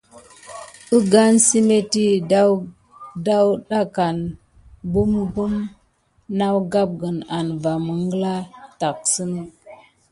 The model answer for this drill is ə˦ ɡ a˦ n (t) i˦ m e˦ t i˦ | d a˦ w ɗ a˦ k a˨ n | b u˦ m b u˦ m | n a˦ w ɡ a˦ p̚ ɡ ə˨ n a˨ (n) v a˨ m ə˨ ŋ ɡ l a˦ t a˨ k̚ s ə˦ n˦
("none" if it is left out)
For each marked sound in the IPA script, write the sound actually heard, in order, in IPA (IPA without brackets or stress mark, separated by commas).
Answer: s, n